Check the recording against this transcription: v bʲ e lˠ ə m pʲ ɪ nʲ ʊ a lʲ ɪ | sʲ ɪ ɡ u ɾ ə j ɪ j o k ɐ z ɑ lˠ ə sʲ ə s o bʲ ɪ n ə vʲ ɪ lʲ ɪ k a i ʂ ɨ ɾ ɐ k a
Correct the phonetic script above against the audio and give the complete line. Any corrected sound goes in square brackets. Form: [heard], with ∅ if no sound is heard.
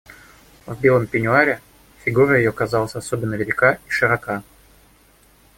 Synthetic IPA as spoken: v bʲ e lˠ ə m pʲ ɪ nʲ ʊ a [ɾʲ] ɪ | [fʲ] ɪ ɡ u ɾ ə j ɪ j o k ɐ z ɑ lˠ ə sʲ [ɐ] s o bʲ ɪ [nː] ə vʲ ɪ lʲ ɪ k a i ʂ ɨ ɾ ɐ k a